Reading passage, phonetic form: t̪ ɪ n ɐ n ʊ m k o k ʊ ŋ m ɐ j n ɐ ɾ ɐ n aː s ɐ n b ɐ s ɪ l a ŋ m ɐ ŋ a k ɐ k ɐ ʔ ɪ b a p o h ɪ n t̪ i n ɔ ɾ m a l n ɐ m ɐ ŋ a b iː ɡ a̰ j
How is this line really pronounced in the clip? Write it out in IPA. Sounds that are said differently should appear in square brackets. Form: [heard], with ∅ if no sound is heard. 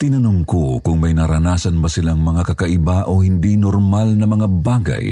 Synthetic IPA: t̪ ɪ n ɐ n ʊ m k o k ʊ ŋ m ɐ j n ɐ ɾ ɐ n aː s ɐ n b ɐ s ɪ l a ŋ m ɐ ŋ a k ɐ k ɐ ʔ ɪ b a [ʔ] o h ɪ n [d̪] i n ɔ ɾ m a l n ɐ m ɐ ŋ a b [aː] ɡ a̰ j